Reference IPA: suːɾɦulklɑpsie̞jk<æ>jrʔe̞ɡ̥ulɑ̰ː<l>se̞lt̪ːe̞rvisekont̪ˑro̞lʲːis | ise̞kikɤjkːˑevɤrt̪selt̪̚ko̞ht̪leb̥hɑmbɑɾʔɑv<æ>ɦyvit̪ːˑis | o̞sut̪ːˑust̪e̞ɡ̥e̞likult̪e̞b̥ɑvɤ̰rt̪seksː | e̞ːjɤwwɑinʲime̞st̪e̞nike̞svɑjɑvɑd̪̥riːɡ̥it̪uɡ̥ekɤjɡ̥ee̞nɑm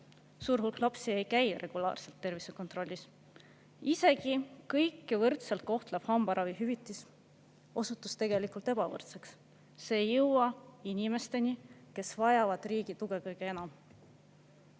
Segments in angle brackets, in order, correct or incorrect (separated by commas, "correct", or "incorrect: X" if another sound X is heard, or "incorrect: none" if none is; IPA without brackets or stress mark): correct, incorrect: r, incorrect: i